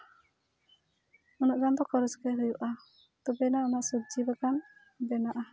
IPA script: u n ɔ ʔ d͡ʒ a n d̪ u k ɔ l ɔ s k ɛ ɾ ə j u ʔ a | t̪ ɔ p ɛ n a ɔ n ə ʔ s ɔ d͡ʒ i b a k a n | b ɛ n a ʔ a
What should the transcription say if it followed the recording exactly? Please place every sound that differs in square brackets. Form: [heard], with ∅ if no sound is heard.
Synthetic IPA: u n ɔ ʔ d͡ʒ a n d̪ [ɔ] k ɔ [ɾ] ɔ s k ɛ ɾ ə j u ʔ a | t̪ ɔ [b] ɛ n a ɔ n [a] ʔ s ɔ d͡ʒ i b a k a n | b ɛ n a ʔ a